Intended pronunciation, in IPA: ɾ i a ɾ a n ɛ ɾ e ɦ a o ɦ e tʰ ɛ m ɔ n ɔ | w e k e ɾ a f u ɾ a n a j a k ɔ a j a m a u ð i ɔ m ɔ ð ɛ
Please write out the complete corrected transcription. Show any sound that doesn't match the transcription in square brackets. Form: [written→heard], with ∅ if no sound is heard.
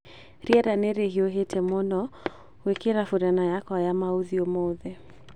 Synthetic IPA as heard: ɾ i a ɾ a n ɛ ɾ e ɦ [a→i] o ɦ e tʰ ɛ m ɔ n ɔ | w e k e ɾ a f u ɾ a n a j a k ɔ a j a m a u ð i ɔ m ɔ ð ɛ